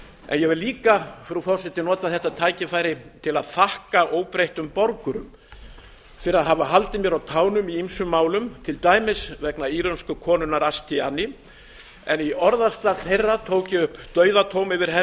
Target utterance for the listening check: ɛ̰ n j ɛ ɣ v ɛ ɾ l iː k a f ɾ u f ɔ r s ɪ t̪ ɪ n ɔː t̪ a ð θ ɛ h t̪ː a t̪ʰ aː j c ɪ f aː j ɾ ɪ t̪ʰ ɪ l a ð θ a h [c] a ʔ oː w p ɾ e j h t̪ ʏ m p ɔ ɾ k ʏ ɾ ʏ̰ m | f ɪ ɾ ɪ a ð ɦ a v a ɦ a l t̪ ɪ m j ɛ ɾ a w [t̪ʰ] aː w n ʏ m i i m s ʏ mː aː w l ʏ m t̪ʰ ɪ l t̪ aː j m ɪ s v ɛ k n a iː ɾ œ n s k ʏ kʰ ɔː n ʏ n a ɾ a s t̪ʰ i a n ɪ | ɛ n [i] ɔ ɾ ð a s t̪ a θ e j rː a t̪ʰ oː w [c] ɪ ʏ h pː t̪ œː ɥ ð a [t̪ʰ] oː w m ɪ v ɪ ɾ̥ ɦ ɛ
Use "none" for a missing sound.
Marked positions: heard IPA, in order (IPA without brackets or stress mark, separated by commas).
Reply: k, t̪ʰ, i, c, t̪ʰ